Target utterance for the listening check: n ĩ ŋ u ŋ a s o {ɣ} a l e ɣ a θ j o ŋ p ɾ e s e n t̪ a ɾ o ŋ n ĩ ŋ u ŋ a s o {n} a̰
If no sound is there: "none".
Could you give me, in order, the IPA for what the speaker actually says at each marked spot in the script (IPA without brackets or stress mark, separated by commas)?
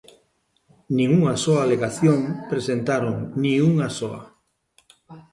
none, none